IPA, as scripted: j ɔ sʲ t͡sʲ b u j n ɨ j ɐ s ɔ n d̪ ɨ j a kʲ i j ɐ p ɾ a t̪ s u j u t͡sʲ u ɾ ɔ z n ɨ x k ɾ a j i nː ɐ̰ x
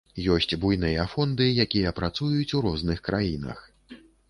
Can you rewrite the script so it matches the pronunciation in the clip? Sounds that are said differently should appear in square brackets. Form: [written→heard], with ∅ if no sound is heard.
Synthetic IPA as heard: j ɔ sʲ t͡sʲ b u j n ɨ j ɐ [s→f] ɔ n d̪ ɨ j a kʲ i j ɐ p ɾ a t̪ s u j u t͡sʲ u ɾ ɔ z n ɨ x k ɾ a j i [nː→n] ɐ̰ x